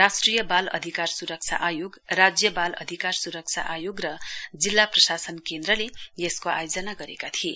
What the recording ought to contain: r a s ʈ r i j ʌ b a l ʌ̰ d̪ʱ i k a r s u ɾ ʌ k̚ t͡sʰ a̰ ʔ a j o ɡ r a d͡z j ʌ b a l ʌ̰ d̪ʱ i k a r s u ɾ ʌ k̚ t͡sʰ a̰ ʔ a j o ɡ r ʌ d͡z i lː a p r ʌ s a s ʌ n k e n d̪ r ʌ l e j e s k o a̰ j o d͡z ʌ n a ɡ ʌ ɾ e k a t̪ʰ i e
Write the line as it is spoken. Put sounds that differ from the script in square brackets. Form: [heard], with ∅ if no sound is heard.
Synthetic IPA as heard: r a s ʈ r i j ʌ b a l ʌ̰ d̪ʱ i k a r s u ɾ ʌ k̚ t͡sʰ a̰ ʔ a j o ɡ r a d͡z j ʌ b a l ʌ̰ d̪ʱ i k a r s u ɾ ʌ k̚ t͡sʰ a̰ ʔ a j o ɡ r ʌ d͡z i lː a p r ʌ s a s ʌ n k e n d̪ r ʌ l e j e s k o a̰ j o d͡z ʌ n a ɡ ʌ ɾ e k a t̪ʰ i e

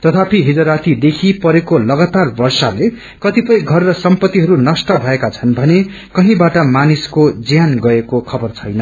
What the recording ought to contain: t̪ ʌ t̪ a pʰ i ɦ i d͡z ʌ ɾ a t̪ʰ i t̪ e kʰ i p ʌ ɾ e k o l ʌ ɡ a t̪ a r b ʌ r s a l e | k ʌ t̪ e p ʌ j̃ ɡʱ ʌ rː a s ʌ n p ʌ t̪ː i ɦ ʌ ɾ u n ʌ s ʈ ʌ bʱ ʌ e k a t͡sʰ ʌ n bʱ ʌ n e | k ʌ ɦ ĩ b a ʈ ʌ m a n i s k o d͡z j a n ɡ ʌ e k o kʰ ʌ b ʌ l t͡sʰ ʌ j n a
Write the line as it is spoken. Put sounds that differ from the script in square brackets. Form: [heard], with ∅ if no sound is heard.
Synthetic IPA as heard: t̪ ʌ [t̪ʰ] a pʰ i ɦ i d͡z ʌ ɾ a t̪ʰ i [d̪] e kʰ i p ʌ ɾ e k o l ʌ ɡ a t̪ a r b ʌ r s a l e | k ʌ t̪ [i] p ʌ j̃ ɡʱ ʌ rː [ʌ] s ʌ [m] p ʌ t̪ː i ɦ ʌ ɾ u n ʌ s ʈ ʌ bʱ ʌ e k a t͡sʰ ʌ n bʱ ʌ n e | k ʌ ɦ ĩ b a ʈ ʌ m a n i s k o d͡z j a n ɡ ʌ e k o kʰ ʌ b ʌ [r] t͡sʰ ʌ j n [ʌ]

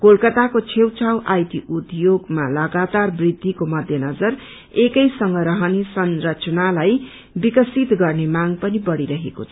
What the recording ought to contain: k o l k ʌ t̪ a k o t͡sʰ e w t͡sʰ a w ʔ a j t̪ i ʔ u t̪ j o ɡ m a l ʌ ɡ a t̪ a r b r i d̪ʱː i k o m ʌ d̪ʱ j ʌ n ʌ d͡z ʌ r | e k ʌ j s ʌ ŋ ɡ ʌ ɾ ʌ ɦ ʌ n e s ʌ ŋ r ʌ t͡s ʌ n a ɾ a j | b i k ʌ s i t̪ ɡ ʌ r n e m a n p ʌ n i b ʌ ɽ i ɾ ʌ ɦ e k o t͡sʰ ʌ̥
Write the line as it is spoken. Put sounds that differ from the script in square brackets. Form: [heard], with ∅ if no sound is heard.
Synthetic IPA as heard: k o l k ʌ t̪ a k o t͡sʰ e w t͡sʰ a w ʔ a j t̪ i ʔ u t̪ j o ɡ m a l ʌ ɡ a t̪ a r b r i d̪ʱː i k o m ʌ d̪ʱ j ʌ n ʌ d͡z ʌ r | e k ʌ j s ʌ ŋ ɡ ʌ ɾ ʌ ɦ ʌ n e s ʌ [n] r ʌ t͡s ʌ n a [l] a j | b i k ʌ s i t̪ ɡ ʌ r n e m a [ŋ] p ʌ n i b ʌ ɽ i ɾ ʌ ɦ e k o t͡sʰ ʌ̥

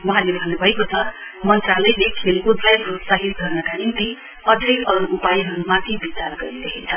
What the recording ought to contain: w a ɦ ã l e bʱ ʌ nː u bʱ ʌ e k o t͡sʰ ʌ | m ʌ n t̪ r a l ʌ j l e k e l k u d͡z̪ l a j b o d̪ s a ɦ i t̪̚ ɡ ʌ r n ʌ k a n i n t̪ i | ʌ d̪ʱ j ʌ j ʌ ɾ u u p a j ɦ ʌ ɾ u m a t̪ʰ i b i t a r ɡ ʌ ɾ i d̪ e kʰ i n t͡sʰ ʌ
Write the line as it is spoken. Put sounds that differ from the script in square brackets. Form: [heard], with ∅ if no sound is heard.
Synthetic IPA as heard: w [ʌ] ɦ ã l e bʱ ʌ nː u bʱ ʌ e k o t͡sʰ ʌ | m ʌ n t̪ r a l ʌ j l e [kʰ] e l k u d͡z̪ l a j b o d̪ s a ɦ i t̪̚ ɡ ʌ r n ʌ k a n i n t̪ i | ʌ d̪ʱ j ʌ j ʌ ɾ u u p a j ɦ ʌ ɾ u m a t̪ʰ i b i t a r ɡ ʌ ɾ i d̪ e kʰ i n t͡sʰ ʌ

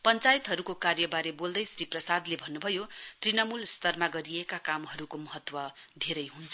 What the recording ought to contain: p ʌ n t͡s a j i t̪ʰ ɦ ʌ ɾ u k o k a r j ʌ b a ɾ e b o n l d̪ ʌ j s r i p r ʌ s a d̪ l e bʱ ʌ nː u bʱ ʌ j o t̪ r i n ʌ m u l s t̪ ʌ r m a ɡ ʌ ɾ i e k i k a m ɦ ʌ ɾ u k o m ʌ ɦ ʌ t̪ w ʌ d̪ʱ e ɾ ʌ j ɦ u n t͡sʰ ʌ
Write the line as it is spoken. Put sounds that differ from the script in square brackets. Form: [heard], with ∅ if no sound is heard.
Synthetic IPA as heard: p ʌ n t͡s a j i [t̪] ɦ ʌ ɾ u k o k a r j ʌ b a ɾ e b o [∅] l d̪ ʌ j s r i p r ʌ s a d̪ l e bʱ ʌ nː u bʱ ʌ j o t̪ r i n ʌ m u l s t̪ ʌ r m a ɡ ʌ ɾ i e k [a] k a m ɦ ʌ ɾ u k o m ʌ ɦ ʌ t̪ w ʌ d̪ʱ e ɾ ʌ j ɦ u n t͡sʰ ʌ

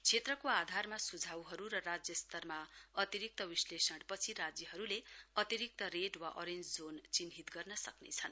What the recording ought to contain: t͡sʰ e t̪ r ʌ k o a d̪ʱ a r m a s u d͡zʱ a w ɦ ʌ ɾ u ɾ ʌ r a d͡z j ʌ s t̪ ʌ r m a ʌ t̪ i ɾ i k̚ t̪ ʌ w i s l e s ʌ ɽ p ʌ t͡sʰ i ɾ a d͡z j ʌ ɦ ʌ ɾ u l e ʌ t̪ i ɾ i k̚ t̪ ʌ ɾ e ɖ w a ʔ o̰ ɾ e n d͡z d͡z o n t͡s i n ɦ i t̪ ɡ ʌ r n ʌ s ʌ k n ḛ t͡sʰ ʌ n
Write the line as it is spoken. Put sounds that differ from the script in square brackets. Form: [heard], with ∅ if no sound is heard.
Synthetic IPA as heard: t͡sʰ e t̪ r ʌ k o a d̪ʱ a r m a s u d͡zʱ a w ɦ ʌ ɾ u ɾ ʌ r a d͡z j ʌ s t̪ ʌ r m a ʌ t̪ i ɾ i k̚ t̪ ʌ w i s l e s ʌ ɽ p ʌ t͡sʰ i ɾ a d͡z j ʌ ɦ ʌ ɾ u l e ʌ t̪ i ɾ i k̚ t̪ ʌ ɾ e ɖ w a ʔ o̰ ɾ e n d͡z d͡z o n t͡s i n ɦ i t̪ ɡ ʌ r n ʌ s ʌ k n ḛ t͡sʰ ʌ n

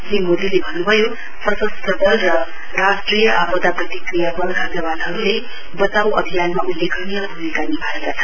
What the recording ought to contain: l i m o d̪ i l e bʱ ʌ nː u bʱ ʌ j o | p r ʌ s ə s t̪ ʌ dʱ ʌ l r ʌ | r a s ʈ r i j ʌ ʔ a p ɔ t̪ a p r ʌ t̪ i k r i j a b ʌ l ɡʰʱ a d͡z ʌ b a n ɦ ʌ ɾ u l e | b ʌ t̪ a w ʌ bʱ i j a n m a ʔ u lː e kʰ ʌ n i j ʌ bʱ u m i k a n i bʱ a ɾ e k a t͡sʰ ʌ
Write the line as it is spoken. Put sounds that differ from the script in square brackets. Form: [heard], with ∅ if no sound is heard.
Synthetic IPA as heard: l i m o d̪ i l e bʱ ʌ nː u bʱ ʌ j o | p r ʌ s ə s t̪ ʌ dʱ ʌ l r ʌ | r a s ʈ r i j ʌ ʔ a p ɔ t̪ a p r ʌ t̪ i k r i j a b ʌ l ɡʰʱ a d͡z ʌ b a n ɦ ʌ ɾ u l e | b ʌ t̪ a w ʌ bʱ i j a n m a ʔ u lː e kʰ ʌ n i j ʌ bʱ u m i k a n i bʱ a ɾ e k a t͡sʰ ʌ

